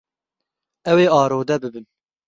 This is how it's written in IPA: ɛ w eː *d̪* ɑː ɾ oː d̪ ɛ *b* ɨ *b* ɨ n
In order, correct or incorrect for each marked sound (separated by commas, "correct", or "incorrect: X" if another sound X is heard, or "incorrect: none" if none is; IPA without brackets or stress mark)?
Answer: incorrect: none, correct, correct